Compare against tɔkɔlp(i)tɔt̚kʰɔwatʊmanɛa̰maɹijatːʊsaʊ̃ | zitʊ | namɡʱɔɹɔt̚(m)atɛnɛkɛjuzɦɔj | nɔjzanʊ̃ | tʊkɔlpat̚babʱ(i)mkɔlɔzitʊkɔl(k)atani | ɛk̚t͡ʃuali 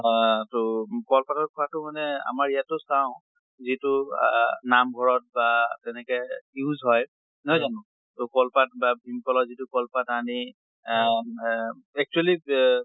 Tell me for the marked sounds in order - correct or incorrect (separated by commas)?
incorrect, incorrect, correct, incorrect